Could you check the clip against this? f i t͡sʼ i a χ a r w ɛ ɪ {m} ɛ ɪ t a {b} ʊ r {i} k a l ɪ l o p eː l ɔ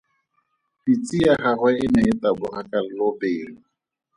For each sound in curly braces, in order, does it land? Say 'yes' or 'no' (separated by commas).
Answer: no, yes, no